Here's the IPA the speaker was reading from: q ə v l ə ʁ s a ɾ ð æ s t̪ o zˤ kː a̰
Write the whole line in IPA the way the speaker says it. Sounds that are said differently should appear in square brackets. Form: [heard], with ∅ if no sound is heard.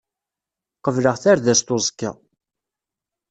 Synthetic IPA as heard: q ə v l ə ʁ [θ] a ɾ ð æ s t̪ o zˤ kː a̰